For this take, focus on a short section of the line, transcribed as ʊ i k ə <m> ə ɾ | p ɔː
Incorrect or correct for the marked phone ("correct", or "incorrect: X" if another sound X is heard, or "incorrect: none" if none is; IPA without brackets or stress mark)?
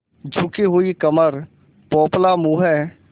correct